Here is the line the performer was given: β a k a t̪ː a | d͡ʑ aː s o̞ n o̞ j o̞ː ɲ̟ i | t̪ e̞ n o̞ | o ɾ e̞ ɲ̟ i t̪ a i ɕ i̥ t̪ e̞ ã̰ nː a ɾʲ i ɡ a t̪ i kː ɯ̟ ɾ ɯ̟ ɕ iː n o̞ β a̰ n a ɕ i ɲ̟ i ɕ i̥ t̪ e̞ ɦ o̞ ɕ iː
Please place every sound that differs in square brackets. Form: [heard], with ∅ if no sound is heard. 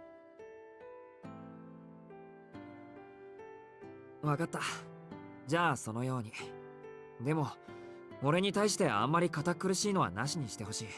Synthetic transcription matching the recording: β a k a t̪ː a | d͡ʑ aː s o̞ n o̞ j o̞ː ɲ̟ i | [d̪] e̞ [m] o̞ | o ɾ e̞ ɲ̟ i t̪ a i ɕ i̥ t̪ e̞ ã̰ [mː] a ɾʲ i [k] a t̪ [a] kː ɯ̟ ɾ ɯ̟ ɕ iː n o̞ β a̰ n a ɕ i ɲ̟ i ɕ i̥ t̪ e̞ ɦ o̞ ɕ iː